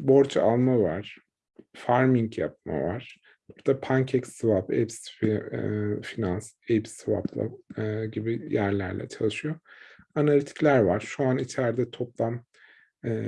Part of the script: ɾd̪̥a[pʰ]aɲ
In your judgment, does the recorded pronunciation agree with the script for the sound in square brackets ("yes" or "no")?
yes